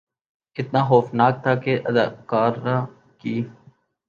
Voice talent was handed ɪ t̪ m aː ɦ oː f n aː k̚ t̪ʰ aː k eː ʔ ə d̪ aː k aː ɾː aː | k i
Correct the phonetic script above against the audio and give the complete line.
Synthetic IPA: ɪ t̪ n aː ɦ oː f n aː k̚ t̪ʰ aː k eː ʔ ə d̪ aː k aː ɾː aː | k iː